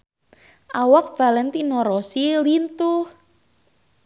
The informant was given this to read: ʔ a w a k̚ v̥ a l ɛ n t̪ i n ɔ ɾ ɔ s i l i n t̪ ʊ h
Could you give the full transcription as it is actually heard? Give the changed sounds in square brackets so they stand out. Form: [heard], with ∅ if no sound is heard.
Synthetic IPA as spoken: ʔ a w a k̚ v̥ a l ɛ n t̪ i n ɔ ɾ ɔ s i l i n t̪ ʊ h